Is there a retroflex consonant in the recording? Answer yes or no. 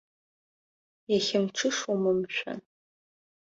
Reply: yes